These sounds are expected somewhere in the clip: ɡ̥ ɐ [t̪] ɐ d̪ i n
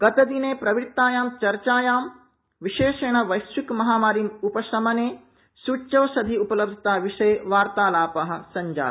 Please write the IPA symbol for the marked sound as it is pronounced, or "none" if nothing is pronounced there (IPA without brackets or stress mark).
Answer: t̪